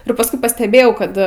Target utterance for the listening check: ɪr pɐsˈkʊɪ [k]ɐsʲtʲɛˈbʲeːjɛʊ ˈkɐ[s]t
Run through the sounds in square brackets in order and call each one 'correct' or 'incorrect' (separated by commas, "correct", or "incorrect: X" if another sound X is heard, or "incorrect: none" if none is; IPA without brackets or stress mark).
incorrect: p, incorrect: none